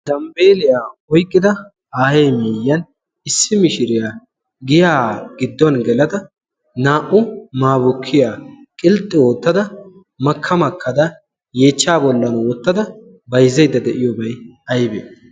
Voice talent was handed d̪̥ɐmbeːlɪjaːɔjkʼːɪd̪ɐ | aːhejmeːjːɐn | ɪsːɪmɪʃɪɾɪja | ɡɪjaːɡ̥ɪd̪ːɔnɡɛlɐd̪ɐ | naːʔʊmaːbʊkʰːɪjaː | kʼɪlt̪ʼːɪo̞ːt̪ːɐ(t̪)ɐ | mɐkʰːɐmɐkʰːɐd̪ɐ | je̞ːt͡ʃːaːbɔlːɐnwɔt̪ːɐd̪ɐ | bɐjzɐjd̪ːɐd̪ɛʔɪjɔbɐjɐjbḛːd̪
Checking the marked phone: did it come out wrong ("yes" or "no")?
yes